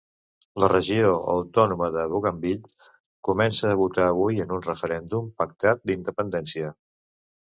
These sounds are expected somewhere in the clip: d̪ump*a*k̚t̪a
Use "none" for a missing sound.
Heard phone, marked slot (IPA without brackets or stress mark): ə